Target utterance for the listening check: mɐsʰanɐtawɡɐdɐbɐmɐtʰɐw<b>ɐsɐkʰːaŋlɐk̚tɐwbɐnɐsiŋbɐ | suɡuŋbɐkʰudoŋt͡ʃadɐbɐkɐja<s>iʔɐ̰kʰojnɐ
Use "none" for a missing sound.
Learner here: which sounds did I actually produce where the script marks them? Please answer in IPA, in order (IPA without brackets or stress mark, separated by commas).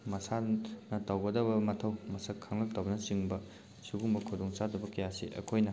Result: m, s